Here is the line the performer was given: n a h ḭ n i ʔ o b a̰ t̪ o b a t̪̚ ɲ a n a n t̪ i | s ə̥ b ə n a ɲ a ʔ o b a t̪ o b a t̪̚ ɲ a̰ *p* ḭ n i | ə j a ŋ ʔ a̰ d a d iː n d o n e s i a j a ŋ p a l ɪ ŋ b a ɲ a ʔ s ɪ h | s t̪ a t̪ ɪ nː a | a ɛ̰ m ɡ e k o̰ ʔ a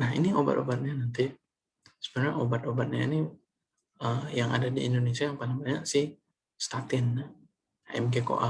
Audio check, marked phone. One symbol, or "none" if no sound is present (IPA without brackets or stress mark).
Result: none